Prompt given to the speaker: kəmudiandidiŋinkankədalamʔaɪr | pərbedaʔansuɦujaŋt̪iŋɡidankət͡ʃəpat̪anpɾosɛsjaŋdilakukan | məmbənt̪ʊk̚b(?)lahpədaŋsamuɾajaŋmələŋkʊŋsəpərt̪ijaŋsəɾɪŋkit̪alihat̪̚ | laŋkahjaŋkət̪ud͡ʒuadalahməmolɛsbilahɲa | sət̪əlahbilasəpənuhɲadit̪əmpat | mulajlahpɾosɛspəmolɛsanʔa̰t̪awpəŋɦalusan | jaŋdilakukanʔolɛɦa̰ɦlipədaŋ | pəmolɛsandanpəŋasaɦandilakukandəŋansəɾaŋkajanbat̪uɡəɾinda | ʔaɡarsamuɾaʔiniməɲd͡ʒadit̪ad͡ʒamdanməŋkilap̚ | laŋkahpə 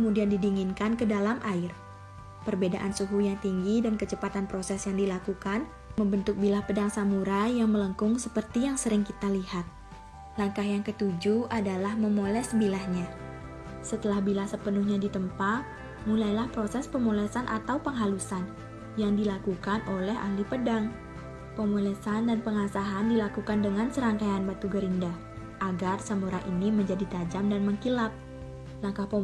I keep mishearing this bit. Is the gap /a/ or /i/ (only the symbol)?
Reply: i